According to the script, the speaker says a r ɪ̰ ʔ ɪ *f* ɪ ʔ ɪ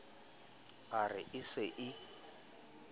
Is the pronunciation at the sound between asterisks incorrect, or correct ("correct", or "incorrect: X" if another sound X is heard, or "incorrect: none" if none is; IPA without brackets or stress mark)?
incorrect: s